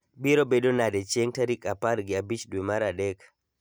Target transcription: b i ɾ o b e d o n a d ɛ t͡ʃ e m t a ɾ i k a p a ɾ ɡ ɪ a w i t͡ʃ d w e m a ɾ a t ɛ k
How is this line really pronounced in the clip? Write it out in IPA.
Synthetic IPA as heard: b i ɾ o b e d o n a d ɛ t͡ʃ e ŋ t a ɾ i k a p a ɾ ɡ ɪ a b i t͡ʃ d w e m a ɾ a d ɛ k